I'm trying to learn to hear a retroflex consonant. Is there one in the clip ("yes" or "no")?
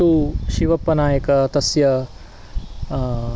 no